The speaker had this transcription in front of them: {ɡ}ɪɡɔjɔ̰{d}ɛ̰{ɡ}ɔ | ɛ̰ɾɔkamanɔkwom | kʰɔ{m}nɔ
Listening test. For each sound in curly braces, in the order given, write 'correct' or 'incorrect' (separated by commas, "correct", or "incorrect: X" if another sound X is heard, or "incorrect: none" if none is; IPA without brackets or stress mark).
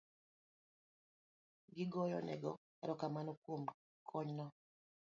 correct, incorrect: n, correct, incorrect: ɲ